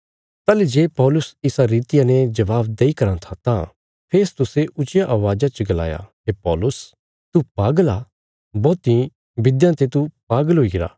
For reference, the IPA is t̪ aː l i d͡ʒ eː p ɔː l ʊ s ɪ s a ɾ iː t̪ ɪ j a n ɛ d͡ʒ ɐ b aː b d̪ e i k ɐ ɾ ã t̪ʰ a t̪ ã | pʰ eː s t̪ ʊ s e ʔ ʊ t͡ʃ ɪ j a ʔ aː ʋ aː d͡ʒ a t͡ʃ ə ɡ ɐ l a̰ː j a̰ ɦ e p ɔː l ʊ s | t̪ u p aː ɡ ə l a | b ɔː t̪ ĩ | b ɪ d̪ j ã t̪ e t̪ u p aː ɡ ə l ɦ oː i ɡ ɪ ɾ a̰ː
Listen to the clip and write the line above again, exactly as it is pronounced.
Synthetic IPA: t̪ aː l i d͡ʒ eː p ɔː l ʊ s ɪ s a ɾ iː t̪ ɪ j a n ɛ d͡ʒ ɐ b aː b d̪ e i k ɐ ɾ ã t̪ʰ a t̪ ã | pʰ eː s t̪ ʊ s e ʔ ʊ t͡ʃ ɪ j a ʔ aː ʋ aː d͡ʒ a t͡ʃ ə ɡ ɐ l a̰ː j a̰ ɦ e p ɔː l ʊ s | t̪ u p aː ɡ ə l a | b ɔː t̪ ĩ | b ɪ d̪ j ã t̪ e t̪ u p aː ɡ ə l ɦ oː i ɡ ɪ ɾ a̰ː